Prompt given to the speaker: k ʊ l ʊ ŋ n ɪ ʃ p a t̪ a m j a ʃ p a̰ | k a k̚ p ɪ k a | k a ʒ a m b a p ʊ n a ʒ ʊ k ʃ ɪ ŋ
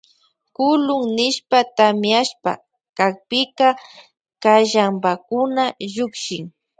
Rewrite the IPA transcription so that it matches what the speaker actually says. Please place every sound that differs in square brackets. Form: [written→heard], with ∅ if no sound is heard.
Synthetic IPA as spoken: k ʊ l ʊ ŋ n ɪ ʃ p a t̪ a m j a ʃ p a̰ | k a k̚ p ɪ k a | k a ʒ a m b a [p→k] ʊ n a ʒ ʊ k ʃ ɪ ŋ